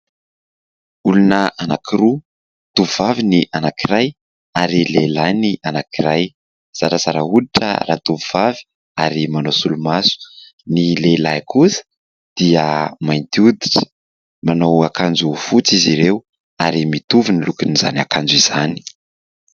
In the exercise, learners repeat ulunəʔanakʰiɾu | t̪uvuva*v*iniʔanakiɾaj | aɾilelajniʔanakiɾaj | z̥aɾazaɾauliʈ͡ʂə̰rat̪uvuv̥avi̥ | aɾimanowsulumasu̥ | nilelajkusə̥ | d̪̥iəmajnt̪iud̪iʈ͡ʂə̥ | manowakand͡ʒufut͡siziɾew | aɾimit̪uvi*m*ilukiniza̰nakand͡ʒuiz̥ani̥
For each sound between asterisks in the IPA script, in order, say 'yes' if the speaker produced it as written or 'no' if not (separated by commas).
yes, no